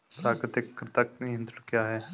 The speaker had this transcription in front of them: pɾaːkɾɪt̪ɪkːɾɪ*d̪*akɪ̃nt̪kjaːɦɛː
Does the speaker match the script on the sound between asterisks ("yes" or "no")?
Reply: no